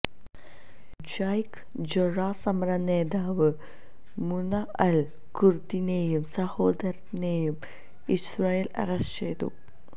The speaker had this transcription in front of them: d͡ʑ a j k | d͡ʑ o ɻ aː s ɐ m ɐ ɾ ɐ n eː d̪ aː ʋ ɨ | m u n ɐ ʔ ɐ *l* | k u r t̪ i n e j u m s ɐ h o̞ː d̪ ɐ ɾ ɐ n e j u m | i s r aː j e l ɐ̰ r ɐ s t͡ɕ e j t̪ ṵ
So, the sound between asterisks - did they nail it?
yes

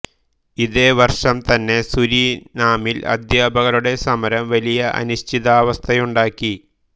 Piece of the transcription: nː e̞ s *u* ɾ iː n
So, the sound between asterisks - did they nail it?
yes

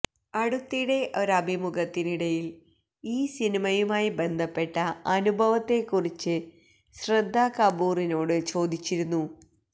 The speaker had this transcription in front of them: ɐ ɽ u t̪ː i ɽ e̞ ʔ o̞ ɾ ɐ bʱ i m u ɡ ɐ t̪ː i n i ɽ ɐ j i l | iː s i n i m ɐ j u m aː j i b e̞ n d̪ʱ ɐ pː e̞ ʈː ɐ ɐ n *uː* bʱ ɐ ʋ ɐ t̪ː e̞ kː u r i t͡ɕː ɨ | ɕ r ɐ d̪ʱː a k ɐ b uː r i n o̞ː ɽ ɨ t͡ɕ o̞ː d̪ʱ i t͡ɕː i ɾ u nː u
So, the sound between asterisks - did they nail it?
no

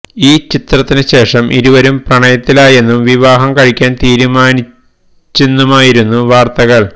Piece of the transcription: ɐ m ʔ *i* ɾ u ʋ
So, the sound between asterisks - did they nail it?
yes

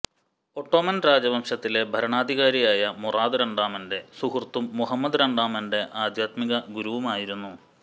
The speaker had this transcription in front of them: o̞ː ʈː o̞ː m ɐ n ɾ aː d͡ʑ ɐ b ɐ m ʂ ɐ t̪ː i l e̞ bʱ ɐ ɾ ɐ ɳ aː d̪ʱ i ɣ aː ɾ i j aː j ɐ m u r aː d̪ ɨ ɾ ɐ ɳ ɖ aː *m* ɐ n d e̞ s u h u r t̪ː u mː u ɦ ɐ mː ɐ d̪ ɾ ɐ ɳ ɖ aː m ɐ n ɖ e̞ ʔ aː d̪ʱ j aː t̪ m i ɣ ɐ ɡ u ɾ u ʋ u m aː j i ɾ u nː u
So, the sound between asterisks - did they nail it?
yes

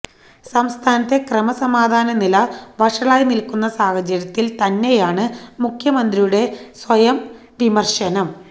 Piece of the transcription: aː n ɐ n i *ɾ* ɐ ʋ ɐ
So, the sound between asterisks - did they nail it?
no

